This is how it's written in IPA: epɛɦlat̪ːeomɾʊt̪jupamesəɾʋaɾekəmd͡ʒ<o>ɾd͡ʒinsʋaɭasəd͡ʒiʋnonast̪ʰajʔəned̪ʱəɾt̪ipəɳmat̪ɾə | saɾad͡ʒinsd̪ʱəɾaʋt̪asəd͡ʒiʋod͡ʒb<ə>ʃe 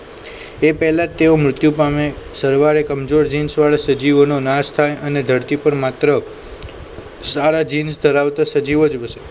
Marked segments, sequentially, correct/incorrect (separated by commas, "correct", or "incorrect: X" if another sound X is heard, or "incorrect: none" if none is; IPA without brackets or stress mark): correct, correct